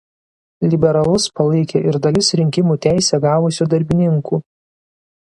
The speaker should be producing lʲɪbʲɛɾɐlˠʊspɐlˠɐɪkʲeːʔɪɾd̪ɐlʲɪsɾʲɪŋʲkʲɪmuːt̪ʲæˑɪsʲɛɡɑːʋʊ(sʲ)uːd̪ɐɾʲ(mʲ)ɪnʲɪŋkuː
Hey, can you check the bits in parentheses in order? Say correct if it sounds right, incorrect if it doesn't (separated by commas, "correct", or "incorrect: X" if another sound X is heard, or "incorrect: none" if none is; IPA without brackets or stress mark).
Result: correct, incorrect: bʲ